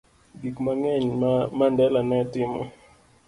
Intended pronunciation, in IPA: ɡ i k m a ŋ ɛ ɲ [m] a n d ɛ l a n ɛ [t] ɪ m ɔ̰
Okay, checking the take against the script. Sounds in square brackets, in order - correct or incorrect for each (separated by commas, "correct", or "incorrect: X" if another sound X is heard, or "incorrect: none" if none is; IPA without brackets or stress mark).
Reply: correct, correct